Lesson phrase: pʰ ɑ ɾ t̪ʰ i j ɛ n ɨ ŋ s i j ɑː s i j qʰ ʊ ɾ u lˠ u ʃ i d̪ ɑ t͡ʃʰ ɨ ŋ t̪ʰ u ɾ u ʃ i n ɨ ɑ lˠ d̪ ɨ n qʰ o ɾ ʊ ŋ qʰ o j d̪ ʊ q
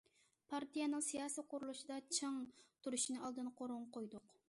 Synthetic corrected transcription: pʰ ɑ ɾ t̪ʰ i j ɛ n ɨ ŋ s i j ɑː s i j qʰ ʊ ɾ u lˠ u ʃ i d̪ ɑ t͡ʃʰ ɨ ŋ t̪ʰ u ɾ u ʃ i n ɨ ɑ lˠ d̪ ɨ n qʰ o ɾ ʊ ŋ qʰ o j d̪ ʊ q